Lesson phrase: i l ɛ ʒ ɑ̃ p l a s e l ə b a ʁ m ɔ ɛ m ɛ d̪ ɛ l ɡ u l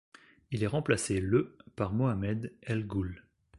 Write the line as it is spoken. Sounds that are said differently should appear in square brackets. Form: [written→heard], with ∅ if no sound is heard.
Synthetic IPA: i l ɛ [ʒ→ʁ] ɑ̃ p l a s e l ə [b→p] a ʁ m ɔ [ɛ→a] m ɛ d̪ ɛ l ɡ u l